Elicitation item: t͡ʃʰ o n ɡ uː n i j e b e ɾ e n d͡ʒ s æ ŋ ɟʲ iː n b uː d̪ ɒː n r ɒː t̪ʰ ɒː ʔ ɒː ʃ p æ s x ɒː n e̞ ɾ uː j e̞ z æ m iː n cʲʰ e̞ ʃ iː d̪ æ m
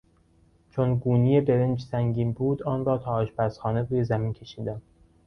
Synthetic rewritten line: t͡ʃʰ o n ɡ uː n i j e b e ɾ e n d͡ʒ s æ ŋ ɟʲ iː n b uː d̪ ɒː n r ɒː t̪ʰ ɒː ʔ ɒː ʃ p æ s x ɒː n e̞ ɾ uː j e̞ z æ m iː n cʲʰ e̞ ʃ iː d̪ æ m